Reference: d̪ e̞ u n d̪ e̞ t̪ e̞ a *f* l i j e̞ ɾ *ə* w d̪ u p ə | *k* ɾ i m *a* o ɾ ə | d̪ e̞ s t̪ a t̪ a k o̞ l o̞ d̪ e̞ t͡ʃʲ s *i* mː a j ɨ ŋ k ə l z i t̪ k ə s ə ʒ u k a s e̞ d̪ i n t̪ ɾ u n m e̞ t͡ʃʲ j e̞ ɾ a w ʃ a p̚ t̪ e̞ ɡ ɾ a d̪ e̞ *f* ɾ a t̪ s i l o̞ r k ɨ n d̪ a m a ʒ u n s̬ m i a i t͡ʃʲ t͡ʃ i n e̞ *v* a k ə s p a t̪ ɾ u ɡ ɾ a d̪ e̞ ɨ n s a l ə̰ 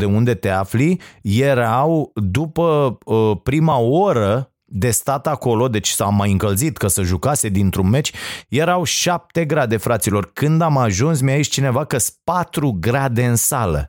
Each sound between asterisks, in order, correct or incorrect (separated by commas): correct, incorrect, incorrect, correct, incorrect, correct, correct